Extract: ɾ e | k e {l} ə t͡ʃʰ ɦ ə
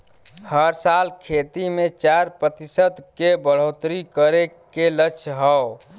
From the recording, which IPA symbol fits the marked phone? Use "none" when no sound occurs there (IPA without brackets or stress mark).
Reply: l